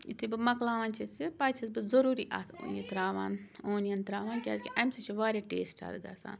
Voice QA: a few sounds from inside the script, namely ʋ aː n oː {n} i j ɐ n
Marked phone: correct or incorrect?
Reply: correct